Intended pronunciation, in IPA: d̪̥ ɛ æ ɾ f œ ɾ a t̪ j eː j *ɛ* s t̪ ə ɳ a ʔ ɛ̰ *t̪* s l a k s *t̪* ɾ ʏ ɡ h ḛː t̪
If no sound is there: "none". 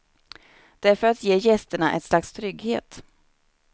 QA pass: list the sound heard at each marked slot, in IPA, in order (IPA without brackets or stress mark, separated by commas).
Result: ɛ, t̪, t̪ʰ